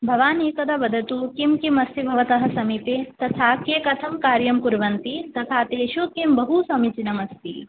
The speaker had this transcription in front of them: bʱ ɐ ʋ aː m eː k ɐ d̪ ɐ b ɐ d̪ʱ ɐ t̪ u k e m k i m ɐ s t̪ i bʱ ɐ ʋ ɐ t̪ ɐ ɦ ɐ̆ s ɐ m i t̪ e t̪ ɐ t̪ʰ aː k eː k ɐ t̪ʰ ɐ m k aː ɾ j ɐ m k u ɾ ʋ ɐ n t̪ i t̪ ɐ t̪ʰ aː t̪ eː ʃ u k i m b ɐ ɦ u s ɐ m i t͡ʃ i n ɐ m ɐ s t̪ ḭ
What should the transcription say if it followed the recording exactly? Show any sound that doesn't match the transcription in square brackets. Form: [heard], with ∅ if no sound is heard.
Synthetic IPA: bʱ ɐ ʋ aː [n] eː k ɐ d̪ ɐ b ɐ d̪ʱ ɐ t̪ u k [i] m k i m ɐ s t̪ i bʱ ɐ ʋ ɐ t̪ ɐ ɦ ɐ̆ s ɐ m i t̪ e t̪ ɐ t̪ʰ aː k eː k ɐ t̪ʰ ɐ m k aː ɾ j ɐ m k u ɾ ʋ ɐ n t̪ i t̪ ɐ t̪ʰ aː t̪ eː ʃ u k i m b ɐ ɦ u s ɐ m i t͡ʃ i n ɐ m ɐ s t̪ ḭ